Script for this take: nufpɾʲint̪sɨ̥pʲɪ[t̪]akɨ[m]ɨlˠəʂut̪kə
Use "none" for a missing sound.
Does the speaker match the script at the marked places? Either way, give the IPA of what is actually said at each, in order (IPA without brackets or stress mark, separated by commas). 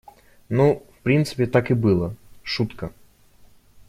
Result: t̪, b